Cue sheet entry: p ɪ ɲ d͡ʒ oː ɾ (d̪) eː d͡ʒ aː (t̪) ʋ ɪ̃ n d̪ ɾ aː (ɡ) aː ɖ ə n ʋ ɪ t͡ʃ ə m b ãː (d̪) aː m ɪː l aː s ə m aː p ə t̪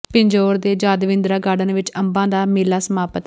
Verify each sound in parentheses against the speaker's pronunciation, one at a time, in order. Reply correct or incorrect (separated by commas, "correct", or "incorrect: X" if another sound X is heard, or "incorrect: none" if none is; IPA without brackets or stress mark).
correct, incorrect: d̪, correct, correct